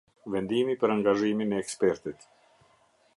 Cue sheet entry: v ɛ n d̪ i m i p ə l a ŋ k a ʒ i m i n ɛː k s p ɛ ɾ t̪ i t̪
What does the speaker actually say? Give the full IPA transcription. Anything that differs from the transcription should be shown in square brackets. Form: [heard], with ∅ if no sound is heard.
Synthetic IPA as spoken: v ɛ n d̪ i m i p ə [ɾ] a ŋ [ɡ] a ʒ i m i n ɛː k s p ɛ ɾ t̪ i t̪